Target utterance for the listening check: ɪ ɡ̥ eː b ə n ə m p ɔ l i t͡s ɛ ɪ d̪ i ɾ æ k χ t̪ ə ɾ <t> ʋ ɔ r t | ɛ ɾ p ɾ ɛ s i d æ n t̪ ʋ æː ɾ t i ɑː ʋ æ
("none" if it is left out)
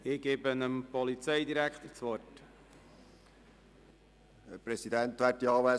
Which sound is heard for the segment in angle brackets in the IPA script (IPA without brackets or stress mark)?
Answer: t͡s